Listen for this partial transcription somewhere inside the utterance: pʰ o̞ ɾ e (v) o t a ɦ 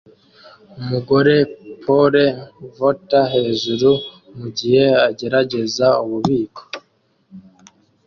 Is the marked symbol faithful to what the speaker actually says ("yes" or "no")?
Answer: yes